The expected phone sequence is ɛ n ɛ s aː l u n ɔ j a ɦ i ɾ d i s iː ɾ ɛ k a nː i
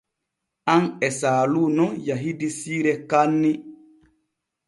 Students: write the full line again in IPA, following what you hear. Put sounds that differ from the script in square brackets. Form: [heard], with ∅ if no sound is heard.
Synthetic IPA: [a] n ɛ s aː l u n ɔ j a ɦ i [∅] d i s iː ɾ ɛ k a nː i